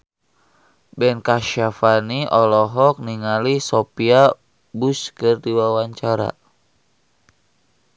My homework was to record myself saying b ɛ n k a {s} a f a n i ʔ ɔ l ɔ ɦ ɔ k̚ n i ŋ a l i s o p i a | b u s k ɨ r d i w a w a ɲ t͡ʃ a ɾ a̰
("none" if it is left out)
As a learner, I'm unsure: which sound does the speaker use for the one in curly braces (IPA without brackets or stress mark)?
ʃ